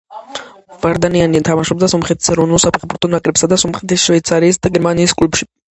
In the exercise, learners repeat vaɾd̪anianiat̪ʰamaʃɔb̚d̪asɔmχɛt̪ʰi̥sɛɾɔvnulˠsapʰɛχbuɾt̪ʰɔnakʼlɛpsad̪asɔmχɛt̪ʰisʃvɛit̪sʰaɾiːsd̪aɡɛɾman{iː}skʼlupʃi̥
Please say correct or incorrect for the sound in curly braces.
correct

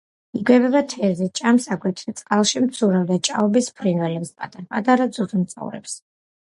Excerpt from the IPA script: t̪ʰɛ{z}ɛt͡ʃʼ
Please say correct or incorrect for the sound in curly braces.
correct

